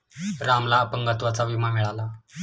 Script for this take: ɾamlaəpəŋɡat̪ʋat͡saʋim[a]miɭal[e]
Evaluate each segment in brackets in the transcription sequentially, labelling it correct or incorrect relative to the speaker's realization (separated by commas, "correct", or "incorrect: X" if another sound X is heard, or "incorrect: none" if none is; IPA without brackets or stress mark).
correct, incorrect: a